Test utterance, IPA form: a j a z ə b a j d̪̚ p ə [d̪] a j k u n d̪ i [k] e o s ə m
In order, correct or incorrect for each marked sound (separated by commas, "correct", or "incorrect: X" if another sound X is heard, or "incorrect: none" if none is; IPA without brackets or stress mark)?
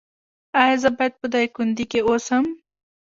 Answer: correct, correct